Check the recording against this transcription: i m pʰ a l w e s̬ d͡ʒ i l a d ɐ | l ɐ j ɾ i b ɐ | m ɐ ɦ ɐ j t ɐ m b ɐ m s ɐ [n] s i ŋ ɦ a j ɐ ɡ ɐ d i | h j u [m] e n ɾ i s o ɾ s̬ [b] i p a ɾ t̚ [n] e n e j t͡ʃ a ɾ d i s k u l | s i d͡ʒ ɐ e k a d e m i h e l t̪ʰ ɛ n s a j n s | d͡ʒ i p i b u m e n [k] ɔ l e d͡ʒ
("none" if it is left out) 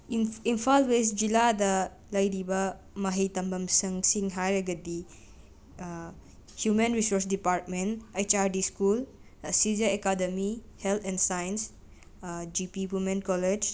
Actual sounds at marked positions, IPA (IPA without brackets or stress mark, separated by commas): ŋ, m, d, m, k